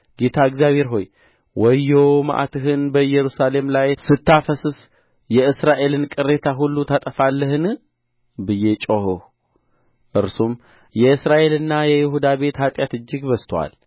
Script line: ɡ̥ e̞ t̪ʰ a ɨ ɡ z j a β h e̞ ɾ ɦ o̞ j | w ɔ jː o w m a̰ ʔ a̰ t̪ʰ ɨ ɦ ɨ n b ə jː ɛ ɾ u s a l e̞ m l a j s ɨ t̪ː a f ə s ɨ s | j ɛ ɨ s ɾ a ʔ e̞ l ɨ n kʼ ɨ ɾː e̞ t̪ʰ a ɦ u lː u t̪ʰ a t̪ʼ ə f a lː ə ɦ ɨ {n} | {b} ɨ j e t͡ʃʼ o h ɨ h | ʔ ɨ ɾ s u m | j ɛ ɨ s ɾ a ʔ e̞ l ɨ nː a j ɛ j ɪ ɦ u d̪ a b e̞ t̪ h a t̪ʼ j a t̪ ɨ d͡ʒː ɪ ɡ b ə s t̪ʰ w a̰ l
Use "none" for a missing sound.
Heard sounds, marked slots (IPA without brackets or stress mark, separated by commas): n, b